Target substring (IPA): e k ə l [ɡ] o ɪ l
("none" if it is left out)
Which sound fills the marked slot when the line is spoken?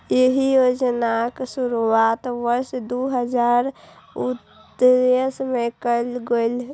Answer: ɡ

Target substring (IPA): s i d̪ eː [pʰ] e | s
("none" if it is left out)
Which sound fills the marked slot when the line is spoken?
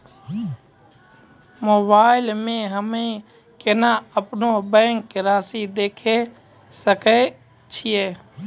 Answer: kʰ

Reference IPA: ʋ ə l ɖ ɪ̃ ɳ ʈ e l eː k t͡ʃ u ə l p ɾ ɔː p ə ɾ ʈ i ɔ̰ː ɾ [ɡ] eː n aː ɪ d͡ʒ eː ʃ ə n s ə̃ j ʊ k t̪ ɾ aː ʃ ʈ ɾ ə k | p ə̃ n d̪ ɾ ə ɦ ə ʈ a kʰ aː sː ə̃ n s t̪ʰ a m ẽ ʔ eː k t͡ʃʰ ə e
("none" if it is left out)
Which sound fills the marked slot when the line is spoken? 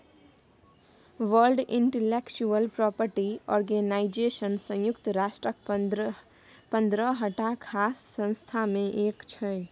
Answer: ɡ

